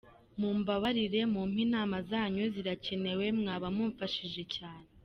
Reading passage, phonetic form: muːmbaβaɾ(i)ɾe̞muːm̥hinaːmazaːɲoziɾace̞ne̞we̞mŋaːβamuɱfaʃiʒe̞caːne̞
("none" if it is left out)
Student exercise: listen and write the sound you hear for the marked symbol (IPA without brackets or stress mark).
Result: i